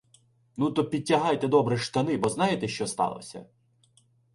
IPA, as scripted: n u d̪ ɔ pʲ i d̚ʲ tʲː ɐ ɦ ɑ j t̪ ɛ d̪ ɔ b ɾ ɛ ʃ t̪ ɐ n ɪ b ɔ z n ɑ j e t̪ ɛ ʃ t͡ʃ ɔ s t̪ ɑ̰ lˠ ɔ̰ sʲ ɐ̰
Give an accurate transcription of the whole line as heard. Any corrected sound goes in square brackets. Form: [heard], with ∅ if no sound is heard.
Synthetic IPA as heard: n u [t̪] ɔ pʲ i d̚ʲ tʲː ɐ ɦ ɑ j t̪ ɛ d̪ ɔ b ɾ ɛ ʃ t̪ ɐ n ɪ b ɔ z n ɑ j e t̪ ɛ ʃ t͡ʃ ɔ s t̪ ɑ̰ lˠ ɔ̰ sʲ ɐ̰